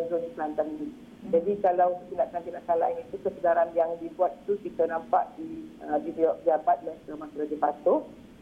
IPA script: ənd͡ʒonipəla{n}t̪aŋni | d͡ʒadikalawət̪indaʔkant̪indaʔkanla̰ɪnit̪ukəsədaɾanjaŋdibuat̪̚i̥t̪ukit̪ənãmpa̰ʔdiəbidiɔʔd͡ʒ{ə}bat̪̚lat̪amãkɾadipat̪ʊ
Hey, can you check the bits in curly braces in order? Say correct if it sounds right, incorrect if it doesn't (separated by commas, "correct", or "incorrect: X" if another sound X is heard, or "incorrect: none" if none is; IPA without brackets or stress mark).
correct, incorrect: a